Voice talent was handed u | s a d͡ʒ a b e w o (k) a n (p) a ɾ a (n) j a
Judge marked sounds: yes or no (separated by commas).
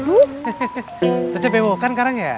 yes, no, no